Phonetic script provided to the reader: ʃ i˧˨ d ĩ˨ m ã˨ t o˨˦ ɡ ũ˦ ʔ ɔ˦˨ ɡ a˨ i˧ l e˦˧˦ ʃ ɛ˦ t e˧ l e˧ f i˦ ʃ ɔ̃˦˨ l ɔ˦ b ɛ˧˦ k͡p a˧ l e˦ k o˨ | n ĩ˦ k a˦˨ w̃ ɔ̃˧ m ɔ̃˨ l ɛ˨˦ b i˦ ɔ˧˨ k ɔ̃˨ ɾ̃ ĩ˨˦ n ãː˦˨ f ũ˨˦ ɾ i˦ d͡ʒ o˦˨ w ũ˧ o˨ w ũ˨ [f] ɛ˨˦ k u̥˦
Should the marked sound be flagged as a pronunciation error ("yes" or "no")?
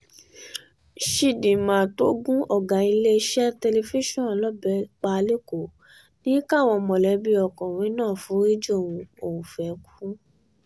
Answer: no